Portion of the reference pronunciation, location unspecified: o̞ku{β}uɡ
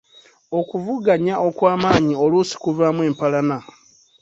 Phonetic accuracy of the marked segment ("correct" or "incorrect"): incorrect